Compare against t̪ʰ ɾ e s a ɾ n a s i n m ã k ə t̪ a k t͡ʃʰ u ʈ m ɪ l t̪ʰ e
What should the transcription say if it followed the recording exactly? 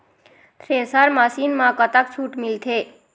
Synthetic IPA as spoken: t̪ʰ ɾ e s a ɾ m a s i n m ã k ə t̪ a k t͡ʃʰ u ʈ m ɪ l t̪ʰ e